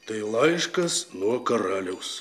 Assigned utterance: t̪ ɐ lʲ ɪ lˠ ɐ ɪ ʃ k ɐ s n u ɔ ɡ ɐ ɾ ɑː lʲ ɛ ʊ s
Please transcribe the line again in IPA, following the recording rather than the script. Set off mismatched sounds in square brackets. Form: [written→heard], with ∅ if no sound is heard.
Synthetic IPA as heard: t̪ ɐ [lʲ→∅] ɪ lˠ ɐ ɪ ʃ k ɐ s n u ɔ [ɡ→k] ɐ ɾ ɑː lʲ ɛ ʊ s